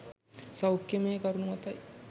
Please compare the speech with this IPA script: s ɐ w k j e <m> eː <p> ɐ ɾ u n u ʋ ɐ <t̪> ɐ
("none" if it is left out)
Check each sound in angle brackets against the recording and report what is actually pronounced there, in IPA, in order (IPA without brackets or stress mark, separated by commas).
m, k, t̪